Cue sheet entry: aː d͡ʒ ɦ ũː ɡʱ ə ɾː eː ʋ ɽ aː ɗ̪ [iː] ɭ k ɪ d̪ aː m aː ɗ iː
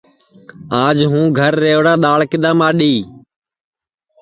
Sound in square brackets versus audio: incorrect: aː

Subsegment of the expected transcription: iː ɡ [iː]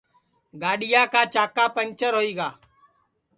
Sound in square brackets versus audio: incorrect: aː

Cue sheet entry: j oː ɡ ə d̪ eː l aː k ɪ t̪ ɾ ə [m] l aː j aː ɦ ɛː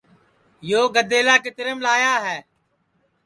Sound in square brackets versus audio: correct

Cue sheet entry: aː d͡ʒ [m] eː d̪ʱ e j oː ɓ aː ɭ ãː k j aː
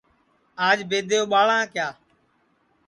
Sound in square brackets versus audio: incorrect: b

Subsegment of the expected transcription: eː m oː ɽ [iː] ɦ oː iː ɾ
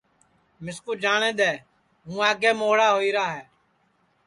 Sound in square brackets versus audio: incorrect: aː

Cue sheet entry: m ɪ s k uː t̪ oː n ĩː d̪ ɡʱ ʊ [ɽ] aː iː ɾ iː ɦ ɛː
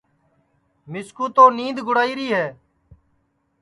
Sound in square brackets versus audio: correct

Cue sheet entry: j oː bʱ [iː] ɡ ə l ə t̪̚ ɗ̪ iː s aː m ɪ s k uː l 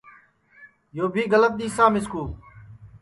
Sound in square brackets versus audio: correct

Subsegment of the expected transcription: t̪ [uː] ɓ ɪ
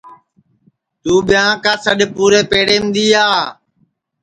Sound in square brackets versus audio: correct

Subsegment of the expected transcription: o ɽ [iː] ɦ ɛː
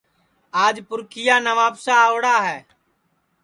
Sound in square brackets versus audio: incorrect: aː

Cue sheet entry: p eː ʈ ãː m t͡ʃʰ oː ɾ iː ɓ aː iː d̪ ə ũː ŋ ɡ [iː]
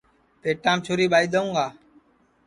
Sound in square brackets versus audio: incorrect: aː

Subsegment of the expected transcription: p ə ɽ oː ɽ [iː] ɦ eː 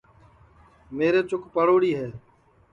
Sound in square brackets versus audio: correct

